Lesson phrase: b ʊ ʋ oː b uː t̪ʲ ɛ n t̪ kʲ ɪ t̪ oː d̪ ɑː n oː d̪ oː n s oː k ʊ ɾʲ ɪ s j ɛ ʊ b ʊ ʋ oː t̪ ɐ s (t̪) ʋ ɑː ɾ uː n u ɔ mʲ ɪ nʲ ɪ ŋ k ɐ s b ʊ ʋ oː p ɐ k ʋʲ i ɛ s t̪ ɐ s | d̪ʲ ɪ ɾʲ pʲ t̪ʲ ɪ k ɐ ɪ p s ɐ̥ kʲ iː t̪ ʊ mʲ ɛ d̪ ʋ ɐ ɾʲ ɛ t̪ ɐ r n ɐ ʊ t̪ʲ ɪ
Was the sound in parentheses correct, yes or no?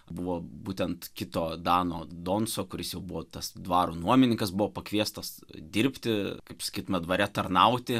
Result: no